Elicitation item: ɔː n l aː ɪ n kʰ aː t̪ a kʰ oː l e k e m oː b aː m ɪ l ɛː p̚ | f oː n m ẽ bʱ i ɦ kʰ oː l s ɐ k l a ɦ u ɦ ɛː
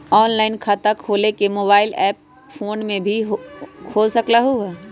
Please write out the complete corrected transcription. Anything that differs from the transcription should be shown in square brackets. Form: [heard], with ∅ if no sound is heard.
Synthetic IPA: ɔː n l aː ɪ n kʰ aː t̪ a kʰ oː l e k e m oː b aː [∅] ɪ l ɛː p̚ | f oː n m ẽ bʱ i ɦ kʰ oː l s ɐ k l a ɦ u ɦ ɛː